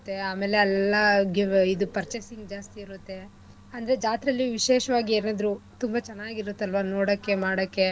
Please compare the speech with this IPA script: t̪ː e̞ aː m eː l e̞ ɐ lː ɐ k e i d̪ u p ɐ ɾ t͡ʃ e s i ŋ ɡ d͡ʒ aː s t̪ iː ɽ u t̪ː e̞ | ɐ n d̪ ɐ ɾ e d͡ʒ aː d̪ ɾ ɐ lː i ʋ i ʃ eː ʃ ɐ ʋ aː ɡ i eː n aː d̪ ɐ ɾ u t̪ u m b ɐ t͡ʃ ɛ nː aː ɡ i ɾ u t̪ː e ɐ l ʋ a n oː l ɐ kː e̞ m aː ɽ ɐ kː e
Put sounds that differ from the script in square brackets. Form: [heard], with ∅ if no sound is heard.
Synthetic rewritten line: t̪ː e̞ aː m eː l e̞ ɐ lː ɐ [ɡ] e i d̪ u p ɐ ɾ t͡ʃ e s i ŋ ɡ d͡ʒ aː s t̪ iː [ɾ] u t̪ː e̞ | ɐ n d̪ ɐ ɾ e d͡ʒ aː [t̪] ɾ ɐ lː i ʋ i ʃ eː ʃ ɐ ʋ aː ɡ i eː n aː d̪ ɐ ɾ u t̪ u m b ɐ t͡ʃ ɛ nː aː ɡ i ɾ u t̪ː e ɐ l ʋ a n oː [ɽ] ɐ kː e̞ m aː ɽ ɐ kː e

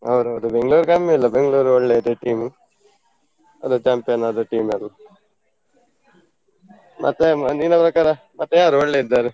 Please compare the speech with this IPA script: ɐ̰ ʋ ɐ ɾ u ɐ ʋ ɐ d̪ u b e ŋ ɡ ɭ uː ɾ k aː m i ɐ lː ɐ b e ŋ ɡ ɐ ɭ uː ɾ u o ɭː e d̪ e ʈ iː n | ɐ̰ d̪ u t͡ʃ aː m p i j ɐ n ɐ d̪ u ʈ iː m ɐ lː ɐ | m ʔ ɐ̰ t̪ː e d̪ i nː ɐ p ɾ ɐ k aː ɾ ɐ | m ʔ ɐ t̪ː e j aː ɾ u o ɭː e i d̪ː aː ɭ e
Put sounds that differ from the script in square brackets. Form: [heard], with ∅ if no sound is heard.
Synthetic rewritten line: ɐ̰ ʋ ɐ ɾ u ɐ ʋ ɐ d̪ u b e ŋ ɡ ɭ uː ɾ k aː m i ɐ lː ɐ b e ŋ ɡ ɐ ɭ uː ɾ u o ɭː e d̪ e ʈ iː [m] | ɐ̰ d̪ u t͡ʃ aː m p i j ɐ n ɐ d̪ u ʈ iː m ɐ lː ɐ | m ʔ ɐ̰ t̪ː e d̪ i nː ɐ p ɾ ɐ k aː ɾ ɐ | m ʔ ɐ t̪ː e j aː ɾ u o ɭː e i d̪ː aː [ɾ] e

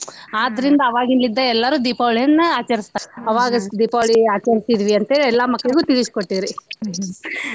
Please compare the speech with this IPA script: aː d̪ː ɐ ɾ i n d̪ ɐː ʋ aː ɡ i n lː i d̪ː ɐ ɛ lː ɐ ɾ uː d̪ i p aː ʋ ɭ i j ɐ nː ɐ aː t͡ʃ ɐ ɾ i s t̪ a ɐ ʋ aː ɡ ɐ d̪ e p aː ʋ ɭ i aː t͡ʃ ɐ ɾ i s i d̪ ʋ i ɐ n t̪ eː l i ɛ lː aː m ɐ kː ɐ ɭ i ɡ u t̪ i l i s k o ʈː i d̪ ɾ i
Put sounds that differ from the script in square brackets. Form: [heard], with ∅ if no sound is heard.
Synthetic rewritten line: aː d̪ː ɐ ɾ i n d̪ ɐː ʋ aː ɡ i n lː i d̪ː ɐ ɛ lː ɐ ɾ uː d̪ i p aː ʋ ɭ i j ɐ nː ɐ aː t͡ʃ ɐ ɾ i s t̪ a ɐ ʋ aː ɡ ɐ d̪ [i] p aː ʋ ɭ i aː t͡ʃ ɐ ɾ i s i d̪ ʋ i ɐ n t̪ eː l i ɛ lː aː m ɐ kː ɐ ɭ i ɡ u t̪ i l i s k o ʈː i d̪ ɾ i

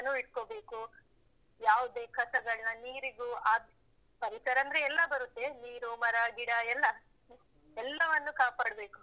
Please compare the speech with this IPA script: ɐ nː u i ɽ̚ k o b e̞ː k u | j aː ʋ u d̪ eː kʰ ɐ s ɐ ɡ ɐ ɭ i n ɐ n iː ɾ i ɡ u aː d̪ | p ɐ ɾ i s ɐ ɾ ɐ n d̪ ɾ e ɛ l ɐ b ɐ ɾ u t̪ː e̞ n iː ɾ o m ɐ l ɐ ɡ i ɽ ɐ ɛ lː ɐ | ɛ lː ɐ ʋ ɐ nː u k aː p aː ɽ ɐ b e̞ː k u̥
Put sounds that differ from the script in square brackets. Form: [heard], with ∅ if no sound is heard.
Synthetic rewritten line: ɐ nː u i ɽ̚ k o b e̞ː k u | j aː ʋ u d̪ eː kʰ ɐ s ɐ ɡ ɐ ɭ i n ɐ n iː ɾ i ɡ u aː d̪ | p ɐ ɾ i s ɐ ɾ ɐ n d̪ ɾ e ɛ [lː] ɐ b ɐ ɾ u t̪ː e̞ n iː ɾ [u] m ɐ [ɾ] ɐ ɡ i ɽ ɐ ɛ lː ɐ | ɛ lː ɐ ʋ ɐ nː u k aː p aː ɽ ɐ b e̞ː k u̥

